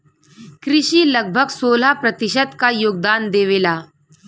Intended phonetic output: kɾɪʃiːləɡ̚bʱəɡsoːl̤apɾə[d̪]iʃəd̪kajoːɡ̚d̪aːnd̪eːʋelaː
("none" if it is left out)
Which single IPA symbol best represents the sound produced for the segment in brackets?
t̪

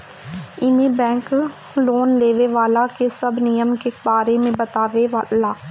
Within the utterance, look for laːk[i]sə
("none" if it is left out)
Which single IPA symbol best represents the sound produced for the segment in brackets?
e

